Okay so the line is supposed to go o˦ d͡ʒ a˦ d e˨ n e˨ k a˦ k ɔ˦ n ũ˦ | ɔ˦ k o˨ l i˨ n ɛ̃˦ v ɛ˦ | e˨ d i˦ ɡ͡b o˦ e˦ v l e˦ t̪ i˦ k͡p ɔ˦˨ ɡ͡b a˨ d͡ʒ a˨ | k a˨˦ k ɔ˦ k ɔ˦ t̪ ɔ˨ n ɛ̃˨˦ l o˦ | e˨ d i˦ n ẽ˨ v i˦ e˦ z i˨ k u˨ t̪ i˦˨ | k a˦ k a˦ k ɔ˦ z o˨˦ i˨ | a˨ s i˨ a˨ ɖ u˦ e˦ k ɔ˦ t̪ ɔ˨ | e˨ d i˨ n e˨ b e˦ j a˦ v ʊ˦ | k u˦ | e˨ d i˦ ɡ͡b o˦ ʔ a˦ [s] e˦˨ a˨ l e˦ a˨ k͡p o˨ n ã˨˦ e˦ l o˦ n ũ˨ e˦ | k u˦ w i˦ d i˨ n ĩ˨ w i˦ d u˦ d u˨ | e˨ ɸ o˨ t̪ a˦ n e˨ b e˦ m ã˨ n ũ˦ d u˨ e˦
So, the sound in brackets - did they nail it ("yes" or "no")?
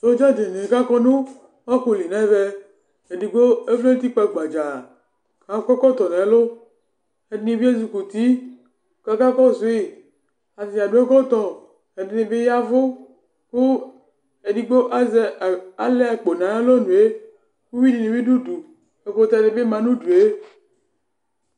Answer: no